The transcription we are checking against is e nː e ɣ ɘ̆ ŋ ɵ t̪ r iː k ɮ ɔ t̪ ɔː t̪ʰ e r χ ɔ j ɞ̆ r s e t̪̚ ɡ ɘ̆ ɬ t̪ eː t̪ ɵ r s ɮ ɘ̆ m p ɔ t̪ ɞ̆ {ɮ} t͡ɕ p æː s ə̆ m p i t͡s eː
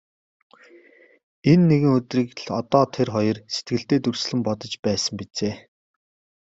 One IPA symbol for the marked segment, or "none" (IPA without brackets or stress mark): none